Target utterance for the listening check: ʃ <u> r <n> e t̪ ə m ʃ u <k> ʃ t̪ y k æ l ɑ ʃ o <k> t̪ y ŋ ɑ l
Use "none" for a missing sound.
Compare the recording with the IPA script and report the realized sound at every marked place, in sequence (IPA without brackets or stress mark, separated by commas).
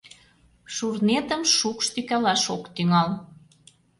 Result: u, n, k, k